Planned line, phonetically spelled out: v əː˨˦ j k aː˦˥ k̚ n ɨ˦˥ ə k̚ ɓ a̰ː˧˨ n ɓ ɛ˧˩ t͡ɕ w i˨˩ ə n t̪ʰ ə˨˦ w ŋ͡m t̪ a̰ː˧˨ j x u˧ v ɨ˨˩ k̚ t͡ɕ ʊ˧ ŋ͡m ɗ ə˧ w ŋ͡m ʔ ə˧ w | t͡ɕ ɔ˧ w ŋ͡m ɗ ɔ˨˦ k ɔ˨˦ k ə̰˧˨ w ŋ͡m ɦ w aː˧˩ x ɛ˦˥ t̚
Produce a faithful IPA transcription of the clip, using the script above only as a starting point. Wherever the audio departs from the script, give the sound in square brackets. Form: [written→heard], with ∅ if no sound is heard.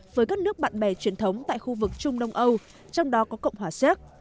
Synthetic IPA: v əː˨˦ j k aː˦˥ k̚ n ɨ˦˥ ə k̚ ɓ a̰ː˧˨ n ɓ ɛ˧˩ t͡ɕ w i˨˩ ə n t̪ʰ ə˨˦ w ŋ͡m t̪ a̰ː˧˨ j x u˧ v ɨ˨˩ k̚ t͡ɕ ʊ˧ ŋ͡m ɗ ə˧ w ŋ͡m ʔ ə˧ w | t͡ɕ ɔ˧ w ŋ͡m ɗ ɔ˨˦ k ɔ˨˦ k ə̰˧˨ w ŋ͡m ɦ w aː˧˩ [x→s] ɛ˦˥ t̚